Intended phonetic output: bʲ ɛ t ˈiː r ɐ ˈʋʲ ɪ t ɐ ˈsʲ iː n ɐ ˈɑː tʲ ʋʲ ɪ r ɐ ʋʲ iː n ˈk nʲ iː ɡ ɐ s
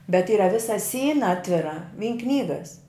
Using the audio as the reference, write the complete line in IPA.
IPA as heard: bʲ ɛ t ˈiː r ɐ ˈʋʲ ɪ s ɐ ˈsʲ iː n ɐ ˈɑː tʲ ʋʲ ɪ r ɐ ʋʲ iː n ˈk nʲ iː ɡ ɐ s